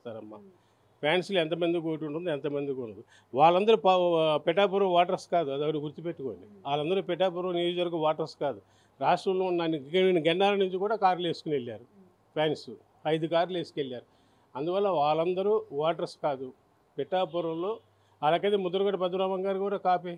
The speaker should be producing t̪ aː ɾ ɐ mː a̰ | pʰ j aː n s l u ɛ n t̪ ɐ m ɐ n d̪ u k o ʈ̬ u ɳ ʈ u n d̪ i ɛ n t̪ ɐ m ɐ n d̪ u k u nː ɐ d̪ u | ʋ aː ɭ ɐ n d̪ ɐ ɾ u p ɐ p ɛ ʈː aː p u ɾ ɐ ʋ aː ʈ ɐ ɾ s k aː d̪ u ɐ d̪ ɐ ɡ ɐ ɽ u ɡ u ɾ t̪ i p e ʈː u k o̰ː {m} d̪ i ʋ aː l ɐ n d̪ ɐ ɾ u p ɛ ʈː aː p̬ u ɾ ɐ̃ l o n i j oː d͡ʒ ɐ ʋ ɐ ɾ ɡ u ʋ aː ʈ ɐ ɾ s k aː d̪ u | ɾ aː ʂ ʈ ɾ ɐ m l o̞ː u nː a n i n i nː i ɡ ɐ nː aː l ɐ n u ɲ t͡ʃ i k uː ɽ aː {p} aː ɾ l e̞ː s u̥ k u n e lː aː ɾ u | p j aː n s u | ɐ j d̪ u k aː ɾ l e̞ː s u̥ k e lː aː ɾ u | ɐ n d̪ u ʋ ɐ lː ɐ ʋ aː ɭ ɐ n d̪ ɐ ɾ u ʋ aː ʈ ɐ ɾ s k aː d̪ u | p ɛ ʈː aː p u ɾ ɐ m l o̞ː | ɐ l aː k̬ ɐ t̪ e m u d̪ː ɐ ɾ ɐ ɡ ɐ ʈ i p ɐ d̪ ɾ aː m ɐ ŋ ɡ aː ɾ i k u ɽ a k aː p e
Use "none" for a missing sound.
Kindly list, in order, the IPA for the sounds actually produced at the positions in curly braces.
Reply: n, k

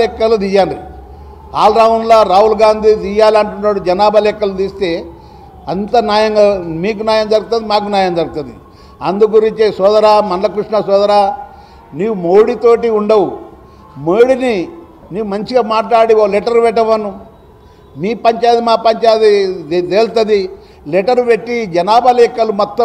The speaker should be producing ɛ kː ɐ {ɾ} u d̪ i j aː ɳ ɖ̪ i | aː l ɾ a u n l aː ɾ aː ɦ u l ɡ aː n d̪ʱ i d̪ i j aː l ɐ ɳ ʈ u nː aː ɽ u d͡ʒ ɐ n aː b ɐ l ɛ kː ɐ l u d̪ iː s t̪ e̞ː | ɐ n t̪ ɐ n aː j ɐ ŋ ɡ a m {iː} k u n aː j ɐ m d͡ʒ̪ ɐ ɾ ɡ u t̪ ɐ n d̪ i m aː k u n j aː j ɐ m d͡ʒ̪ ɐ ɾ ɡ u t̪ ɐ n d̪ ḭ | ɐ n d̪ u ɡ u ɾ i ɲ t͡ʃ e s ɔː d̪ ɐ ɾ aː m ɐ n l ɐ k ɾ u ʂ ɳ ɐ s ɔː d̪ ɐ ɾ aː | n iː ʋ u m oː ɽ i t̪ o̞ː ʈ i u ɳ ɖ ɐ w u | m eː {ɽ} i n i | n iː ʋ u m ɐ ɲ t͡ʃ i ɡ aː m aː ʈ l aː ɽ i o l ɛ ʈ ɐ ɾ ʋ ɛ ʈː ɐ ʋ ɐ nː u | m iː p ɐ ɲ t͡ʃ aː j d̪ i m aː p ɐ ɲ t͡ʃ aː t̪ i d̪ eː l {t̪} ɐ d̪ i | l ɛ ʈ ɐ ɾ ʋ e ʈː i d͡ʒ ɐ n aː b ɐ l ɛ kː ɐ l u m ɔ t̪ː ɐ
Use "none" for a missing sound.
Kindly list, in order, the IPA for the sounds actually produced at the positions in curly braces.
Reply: l, iː, ɽ, t̪

